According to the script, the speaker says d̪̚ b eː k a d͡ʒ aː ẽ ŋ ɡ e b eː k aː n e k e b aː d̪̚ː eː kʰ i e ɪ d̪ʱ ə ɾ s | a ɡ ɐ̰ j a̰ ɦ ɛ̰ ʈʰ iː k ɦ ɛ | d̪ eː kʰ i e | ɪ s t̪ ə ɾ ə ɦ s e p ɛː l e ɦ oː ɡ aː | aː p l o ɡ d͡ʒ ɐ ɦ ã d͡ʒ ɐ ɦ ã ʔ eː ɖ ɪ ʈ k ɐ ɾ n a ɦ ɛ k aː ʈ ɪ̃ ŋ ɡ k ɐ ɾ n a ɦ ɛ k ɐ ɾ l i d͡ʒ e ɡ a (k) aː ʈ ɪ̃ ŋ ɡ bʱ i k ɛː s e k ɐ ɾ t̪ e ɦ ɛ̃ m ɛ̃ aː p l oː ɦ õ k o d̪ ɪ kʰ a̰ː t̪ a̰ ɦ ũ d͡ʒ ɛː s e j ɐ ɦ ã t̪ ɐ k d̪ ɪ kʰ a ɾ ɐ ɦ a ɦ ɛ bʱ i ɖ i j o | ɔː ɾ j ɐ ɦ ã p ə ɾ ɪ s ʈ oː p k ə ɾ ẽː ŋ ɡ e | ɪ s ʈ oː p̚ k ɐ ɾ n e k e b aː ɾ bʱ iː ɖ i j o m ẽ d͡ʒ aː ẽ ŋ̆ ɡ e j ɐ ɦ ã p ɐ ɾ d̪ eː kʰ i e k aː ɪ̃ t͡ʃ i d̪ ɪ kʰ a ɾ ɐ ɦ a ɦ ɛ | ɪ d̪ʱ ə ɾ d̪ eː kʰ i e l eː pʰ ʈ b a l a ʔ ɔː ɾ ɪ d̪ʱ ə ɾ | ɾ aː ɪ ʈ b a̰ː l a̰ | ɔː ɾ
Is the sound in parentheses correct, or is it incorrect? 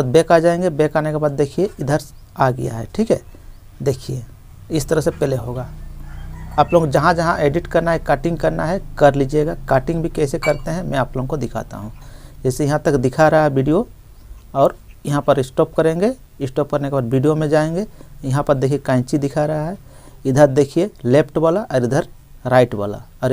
correct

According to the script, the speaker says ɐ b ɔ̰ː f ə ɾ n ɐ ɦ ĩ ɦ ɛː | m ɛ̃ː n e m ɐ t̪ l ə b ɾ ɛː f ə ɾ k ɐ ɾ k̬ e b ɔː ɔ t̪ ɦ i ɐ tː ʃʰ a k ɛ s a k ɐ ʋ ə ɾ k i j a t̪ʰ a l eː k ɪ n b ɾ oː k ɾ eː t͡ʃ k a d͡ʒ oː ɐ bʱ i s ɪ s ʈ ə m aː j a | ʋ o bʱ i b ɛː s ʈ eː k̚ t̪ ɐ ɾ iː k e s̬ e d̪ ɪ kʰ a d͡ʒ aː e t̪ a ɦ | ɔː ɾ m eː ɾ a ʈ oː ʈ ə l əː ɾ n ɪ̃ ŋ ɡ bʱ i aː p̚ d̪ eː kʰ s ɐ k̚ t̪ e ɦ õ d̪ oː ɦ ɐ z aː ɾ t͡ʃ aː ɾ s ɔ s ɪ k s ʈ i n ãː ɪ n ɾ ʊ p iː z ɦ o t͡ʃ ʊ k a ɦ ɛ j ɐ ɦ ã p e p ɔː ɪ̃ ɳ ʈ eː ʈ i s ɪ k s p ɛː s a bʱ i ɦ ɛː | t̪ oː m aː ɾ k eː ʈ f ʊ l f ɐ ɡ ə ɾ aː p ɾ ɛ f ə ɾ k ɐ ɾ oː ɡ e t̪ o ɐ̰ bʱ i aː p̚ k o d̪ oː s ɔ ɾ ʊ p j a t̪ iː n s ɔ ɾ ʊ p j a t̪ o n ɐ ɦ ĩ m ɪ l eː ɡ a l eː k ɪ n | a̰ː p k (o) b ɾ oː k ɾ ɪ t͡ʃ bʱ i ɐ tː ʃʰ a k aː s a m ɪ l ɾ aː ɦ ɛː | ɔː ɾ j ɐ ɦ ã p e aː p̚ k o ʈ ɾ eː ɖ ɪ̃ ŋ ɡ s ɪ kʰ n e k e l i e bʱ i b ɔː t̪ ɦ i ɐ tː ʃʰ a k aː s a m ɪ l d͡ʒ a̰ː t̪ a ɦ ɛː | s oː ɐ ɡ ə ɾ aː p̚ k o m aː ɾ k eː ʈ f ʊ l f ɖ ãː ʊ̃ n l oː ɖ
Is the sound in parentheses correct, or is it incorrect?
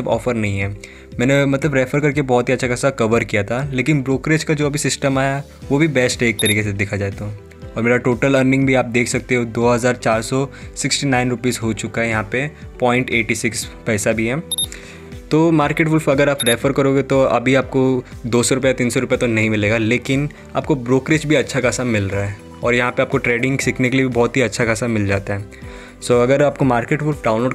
correct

